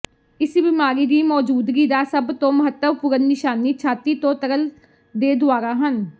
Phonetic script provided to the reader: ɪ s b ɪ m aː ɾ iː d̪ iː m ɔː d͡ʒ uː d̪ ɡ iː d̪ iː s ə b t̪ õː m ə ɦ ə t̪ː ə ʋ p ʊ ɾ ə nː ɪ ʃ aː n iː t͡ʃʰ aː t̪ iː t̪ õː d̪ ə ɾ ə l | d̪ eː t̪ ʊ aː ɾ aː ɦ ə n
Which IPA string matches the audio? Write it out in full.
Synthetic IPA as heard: ɪ s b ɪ m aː ɾ iː d̪ iː m ɔː d͡ʒ uː d̪ ɡ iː d̪ aː s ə b t̪ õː m ə ɦ ə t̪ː ə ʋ p ʊ ɾ ə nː ɪ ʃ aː n iː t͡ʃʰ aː t̪ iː t̪ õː t̪ ə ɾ ə l | d̪ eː d̪ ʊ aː ɾ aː ɦ ə n